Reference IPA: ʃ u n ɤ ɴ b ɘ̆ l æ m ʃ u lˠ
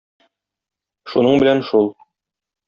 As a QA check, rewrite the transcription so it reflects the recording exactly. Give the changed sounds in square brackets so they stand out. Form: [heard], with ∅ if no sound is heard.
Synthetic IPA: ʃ u n ɤ ɴ b ɘ̆ l æ [n] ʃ u lˠ